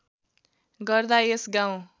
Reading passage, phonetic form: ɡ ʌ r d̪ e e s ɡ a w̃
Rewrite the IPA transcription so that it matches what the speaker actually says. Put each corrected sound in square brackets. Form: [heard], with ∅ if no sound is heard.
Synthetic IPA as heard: ɡ ʌ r d̪ [a] e s ɡ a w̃